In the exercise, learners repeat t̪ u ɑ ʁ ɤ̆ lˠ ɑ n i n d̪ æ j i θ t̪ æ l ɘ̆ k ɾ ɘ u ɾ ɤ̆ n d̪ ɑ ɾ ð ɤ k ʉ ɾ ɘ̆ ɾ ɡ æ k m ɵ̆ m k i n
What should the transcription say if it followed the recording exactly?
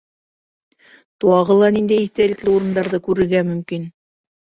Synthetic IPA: t̪ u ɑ ʁ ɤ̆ lˠ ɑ n i n d̪ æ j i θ t̪ æ l ɘ̆ k l ɘ u ɾ ɤ̆ n d̪ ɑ ɾ ð ɤ k ʉ ɾ ɘ̆ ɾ ɡ æ m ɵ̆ m k i n

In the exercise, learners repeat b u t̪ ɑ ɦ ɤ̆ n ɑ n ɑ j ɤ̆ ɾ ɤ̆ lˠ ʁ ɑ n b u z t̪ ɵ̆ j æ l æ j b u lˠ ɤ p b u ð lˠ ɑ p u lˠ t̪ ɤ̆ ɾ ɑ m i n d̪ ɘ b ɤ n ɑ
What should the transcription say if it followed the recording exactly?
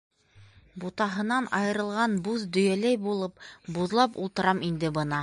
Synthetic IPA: b u t̪ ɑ ɦ ɤ̆ n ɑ n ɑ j ɤ̆ ɾ ɤ̆ lˠ ʁ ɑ n b u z d̪ ɵ̆ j æ l æ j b u lˠ ɤ p b u ð lˠ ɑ p u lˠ t̪ ɤ̆ ɾ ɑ m i n d̪ ɘ b ɤ n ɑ

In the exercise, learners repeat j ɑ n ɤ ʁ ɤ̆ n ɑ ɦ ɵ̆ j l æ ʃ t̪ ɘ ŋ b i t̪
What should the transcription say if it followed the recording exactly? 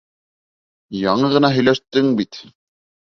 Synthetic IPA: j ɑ ɴ ɤ ʁ ɤ̆ n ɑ ɦ ɵ̆ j l æ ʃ t̪ ɘ ŋ b i t̪

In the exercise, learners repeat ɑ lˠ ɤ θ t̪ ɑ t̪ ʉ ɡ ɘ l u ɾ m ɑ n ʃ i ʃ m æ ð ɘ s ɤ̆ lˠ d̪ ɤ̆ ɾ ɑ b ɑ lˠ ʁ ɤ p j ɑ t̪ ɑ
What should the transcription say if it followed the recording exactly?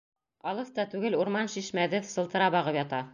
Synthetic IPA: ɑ lˠ ɤ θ t̪ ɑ t̪ ʉ ɡ ɘ l u ɾ m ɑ n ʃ i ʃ m æ ð ɘ s ɤ̆ lˠ t̪ ɤ̆ ɾ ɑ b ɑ ʁ ɤ p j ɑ t̪ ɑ

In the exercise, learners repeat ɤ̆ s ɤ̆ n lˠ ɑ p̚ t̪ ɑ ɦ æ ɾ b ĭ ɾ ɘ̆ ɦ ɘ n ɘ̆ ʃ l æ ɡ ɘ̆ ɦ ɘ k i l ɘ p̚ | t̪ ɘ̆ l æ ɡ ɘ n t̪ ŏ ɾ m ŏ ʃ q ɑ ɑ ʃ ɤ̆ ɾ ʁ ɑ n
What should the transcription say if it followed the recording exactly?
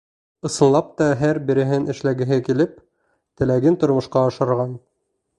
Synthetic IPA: ɤ̆ s ɤ̆ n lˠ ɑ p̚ t̪ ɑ ɦ æ ɾ b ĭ ɾ ɘ̆ ɦ ɘ n ɘ̆ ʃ l æ ɡ ɘ̆ ɦ ɘ k i l ɘ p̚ | t̪ ɘ̆ l æ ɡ ɘ n t̪ ŏ ɾ m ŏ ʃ q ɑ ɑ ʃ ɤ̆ ɾ ʁ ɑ n

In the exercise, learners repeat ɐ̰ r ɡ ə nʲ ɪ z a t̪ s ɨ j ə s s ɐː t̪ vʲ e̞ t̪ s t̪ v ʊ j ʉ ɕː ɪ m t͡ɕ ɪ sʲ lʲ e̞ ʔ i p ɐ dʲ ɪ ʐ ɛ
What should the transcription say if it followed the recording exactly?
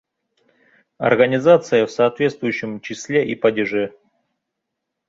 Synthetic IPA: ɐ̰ r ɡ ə nʲ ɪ z a t̪ s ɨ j ə f s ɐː t̪ vʲ e̞ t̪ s t̪ v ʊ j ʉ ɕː ɪ m t͡ɕ ɪ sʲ lʲ e̞ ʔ i p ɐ dʲ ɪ ʐ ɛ

